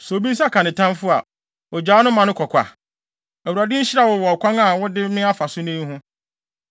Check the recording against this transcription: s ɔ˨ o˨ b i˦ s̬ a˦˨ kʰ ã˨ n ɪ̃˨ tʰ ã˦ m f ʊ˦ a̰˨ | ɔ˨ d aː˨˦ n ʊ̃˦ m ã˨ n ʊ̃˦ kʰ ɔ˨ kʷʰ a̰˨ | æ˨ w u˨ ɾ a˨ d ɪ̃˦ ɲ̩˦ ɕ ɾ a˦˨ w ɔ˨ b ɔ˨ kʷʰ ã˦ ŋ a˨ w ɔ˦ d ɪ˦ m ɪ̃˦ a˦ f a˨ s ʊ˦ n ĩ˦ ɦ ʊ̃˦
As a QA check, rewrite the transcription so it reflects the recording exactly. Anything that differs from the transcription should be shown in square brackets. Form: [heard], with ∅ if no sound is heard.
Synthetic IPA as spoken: s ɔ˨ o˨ b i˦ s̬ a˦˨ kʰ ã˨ n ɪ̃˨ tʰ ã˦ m f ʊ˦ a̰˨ | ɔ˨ [d͡ʑ] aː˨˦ n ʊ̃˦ m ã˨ n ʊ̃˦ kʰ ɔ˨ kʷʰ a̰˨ | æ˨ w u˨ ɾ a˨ d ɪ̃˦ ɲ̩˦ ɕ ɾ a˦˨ w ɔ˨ [w] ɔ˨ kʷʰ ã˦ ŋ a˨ w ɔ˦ d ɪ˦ m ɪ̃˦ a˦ f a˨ s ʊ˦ n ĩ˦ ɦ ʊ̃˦

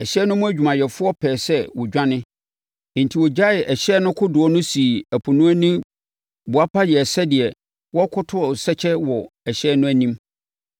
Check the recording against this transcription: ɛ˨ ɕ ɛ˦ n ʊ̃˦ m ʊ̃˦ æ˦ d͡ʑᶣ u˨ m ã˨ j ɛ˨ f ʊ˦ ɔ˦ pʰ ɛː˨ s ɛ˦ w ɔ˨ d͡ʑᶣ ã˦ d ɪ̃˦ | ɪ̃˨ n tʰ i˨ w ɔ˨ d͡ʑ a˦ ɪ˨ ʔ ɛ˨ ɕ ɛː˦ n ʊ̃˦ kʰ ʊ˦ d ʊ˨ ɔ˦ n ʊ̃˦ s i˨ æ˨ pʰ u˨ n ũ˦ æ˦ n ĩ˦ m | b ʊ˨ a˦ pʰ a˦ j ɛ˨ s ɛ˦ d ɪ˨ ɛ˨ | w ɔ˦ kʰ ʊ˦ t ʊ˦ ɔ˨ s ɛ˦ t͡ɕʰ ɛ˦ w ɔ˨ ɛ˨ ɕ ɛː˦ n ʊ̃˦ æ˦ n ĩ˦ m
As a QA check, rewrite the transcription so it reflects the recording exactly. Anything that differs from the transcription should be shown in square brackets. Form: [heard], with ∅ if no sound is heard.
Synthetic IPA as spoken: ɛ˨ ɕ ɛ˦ n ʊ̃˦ m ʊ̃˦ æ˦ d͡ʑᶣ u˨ m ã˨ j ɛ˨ f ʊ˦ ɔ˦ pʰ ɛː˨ s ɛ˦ w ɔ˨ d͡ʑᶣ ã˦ [n] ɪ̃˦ | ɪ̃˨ n tʰ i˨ w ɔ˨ d͡ʑ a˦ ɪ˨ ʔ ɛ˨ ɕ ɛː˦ n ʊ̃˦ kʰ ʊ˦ d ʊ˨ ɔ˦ n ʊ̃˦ s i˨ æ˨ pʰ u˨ n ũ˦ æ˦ n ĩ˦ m | b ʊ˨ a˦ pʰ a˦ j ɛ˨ s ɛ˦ d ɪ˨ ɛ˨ | w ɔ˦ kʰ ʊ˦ [tʰ] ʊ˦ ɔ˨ s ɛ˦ t͡ɕʰ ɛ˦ w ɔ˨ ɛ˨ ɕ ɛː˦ n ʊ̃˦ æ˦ n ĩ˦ m

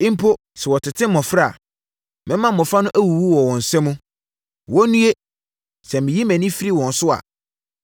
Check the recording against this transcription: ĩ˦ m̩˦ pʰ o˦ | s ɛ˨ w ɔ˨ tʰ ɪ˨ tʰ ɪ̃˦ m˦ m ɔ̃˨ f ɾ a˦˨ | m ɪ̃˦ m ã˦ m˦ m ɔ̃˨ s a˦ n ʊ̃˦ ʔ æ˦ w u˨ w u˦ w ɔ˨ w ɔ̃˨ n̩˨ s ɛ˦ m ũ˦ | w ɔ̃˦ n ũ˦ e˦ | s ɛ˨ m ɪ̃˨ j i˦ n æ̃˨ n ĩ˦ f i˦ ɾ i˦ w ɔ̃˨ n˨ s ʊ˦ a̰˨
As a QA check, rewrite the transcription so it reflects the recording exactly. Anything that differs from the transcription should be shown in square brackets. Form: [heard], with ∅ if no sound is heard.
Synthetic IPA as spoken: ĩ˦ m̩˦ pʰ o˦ | s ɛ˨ w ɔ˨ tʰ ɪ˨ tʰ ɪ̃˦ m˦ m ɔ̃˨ f ɾ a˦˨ | m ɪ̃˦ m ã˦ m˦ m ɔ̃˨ [f] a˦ n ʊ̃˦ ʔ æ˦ w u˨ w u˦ w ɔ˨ w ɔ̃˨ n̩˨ s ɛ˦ m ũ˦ | w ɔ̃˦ n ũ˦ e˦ | s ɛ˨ m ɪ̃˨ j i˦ [m] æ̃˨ n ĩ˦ f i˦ ɾ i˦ w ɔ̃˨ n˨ s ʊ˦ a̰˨

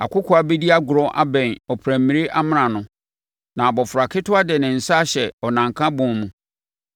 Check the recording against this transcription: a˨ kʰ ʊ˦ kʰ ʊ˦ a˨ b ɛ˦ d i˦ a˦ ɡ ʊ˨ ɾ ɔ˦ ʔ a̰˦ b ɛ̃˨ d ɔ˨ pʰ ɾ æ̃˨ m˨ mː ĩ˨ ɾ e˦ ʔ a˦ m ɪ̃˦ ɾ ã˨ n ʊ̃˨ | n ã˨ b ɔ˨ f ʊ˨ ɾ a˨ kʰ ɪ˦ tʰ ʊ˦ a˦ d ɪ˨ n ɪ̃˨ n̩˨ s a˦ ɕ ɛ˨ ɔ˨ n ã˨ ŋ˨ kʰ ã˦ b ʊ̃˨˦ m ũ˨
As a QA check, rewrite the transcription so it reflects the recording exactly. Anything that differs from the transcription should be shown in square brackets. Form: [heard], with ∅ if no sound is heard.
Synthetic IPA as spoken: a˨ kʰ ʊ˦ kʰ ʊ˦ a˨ b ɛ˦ d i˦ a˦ ɡ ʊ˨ ɾ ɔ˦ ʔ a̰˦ b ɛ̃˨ [n] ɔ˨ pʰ ɾ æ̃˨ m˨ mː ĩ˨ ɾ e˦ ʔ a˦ m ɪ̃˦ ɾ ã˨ n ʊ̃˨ | n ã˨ b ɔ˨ f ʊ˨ ɾ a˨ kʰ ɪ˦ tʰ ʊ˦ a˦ d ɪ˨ n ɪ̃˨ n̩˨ s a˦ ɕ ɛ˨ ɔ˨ n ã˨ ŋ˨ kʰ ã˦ b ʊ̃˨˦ m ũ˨

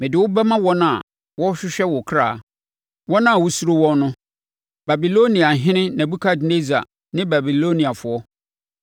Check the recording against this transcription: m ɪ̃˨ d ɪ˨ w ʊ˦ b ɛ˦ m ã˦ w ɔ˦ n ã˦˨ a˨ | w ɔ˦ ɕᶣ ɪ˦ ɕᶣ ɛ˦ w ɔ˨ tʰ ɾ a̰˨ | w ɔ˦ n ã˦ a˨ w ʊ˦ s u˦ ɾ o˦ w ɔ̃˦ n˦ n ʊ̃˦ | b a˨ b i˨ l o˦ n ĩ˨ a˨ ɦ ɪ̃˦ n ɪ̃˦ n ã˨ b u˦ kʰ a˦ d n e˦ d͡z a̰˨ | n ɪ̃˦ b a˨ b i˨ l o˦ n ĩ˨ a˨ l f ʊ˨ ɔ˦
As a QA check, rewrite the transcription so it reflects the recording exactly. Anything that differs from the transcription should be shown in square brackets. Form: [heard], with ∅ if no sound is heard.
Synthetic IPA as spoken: m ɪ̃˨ d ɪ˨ w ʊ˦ b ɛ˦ m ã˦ w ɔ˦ n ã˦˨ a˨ | w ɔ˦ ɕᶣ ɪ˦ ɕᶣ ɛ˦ w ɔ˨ [kʰ] ɾ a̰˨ | w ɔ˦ n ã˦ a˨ w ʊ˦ s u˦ ɾ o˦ w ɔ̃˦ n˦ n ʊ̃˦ | b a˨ b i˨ l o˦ n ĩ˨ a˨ ɦ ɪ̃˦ n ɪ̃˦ n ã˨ b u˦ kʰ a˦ d n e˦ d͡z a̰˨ | n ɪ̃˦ b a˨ b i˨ l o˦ n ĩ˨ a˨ [∅] f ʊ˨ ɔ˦

